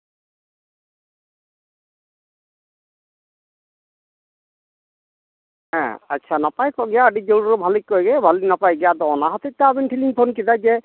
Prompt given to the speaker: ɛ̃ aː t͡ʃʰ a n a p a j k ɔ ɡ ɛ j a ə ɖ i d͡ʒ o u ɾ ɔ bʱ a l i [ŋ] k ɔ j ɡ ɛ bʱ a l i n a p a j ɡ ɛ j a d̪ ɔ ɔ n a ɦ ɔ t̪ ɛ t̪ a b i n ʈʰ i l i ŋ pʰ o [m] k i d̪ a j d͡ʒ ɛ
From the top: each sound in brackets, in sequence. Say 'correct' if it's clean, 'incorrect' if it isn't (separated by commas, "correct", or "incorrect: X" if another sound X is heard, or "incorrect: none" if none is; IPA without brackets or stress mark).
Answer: incorrect: none, incorrect: n